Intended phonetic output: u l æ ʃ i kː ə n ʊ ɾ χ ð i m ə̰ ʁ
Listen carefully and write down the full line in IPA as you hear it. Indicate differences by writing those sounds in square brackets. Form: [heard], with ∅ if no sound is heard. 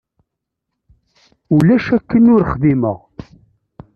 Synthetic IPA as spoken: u l æ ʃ [æ] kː ə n ʊ ɾ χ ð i m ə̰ ʁ